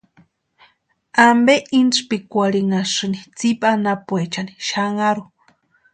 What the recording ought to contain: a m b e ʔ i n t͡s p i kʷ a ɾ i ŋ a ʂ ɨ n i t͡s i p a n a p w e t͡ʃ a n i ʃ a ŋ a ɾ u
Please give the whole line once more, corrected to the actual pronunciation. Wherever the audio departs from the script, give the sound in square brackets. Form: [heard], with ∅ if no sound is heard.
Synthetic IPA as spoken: a m b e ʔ i n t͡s p i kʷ a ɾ i ŋ a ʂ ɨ n i t͡s i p a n a p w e t͡ʃ a n i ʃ a ŋ a ɾ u